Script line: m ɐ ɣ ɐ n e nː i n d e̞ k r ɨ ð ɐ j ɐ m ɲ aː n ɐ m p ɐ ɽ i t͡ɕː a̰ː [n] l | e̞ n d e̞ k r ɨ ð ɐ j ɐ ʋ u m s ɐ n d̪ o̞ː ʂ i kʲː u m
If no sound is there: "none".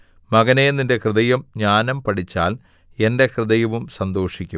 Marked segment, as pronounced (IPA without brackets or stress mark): none